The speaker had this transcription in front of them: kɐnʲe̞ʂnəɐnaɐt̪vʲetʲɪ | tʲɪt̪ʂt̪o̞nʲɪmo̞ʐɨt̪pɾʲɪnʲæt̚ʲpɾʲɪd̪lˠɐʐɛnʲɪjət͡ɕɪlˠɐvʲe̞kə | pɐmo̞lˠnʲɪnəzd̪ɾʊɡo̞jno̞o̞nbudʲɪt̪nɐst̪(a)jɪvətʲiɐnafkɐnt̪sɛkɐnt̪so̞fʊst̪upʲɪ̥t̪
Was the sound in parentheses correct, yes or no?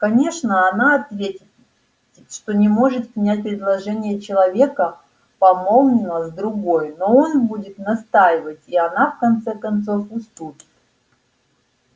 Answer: yes